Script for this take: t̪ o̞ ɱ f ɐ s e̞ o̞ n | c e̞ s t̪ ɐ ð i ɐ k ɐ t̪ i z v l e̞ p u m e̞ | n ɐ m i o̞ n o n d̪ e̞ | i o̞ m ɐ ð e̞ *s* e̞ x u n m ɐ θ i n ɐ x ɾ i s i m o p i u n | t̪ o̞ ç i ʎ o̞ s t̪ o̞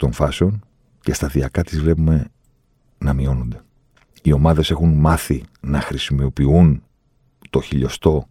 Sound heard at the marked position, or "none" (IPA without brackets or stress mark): s